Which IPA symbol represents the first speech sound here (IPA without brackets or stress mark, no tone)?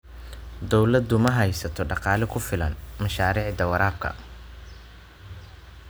d̪